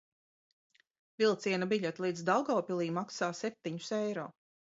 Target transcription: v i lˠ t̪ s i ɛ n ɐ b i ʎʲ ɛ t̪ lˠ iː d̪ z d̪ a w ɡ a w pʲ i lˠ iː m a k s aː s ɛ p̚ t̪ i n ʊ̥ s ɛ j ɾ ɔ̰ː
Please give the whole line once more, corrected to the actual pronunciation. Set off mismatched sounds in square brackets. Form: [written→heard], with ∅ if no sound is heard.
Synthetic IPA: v i lˠ t̪ s i ɛ n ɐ b i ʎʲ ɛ t̪ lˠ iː d̪ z d̪ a w ɡ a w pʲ i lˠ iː m a k s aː s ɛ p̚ t̪ i [n→ɲ] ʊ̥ s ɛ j ɾ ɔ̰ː

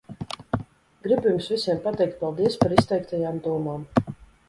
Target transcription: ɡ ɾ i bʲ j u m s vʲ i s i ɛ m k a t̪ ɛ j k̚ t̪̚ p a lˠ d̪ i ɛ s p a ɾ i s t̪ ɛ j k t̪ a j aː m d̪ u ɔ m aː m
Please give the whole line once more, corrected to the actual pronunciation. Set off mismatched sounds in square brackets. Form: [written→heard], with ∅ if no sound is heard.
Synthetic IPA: ɡ ɾ i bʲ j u m s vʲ i s i ɛ m [k→p] a t̪ ɛ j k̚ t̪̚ p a lˠ d̪ i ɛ s p a ɾ i s t̪ ɛ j k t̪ a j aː m d̪ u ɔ m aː m

